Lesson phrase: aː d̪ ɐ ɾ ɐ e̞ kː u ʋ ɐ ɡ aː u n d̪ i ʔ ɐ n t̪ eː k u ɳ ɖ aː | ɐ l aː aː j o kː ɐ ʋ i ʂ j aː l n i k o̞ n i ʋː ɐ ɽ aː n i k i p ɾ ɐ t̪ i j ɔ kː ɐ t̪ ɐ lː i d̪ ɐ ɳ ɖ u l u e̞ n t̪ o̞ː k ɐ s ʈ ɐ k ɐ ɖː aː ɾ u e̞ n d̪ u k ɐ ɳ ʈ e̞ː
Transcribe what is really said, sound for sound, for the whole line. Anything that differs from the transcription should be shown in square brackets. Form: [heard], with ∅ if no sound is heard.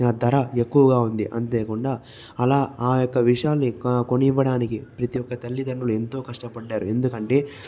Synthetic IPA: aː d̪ ɐ ɾ ɐ e̞ kː u ʋ ɐ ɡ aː u n d̪ i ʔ ɐ n t̪ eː k u ɳ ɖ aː | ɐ l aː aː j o kː ɐ ʋ i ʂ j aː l n i k o̞ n i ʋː ɐ ɽ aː n i k i p ɾ ɐ t̪ i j ɔ kː ɐ t̪ ɐ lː i d̪ ɐ ɳ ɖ u l u e̞ n t̪ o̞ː k ɐ [ʂ] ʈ ɐ [p] ɐ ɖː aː ɾ u e̞ n d̪ u k ɐ ɳ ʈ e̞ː